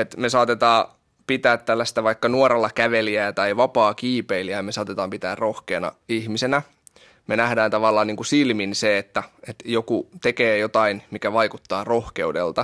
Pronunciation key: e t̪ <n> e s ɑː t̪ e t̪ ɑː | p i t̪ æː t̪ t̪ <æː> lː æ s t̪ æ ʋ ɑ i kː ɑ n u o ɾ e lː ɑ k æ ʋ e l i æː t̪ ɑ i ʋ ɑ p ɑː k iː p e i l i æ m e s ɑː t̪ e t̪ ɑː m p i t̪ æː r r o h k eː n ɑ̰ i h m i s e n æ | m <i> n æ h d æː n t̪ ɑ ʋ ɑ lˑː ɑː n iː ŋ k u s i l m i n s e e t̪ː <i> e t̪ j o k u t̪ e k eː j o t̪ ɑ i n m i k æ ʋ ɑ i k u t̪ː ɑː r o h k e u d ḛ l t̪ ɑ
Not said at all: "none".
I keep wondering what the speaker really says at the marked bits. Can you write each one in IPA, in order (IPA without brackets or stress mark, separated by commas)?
m, æ, e, æ